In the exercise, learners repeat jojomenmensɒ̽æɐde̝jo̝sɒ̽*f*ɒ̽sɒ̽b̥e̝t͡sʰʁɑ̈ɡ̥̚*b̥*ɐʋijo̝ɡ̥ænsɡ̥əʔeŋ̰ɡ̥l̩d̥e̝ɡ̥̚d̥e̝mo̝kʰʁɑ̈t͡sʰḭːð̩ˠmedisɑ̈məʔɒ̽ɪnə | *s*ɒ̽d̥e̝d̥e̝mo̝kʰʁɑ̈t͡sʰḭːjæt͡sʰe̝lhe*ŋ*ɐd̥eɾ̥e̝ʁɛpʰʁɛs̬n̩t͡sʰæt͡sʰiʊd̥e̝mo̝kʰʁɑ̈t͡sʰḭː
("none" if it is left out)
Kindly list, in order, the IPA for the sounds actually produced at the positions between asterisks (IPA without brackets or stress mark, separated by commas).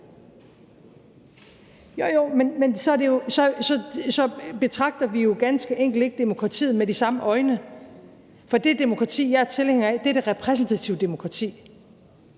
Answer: s, d̥, f, ŋ